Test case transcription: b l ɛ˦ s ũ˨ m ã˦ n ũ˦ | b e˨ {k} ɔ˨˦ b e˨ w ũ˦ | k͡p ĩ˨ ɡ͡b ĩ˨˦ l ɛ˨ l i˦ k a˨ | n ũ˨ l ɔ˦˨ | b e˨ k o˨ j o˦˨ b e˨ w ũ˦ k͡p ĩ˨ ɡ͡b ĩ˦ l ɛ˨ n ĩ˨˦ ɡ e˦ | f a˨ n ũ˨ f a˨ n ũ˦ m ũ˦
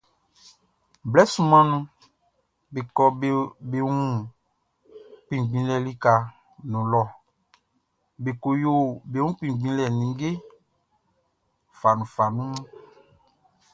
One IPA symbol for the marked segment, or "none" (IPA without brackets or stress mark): k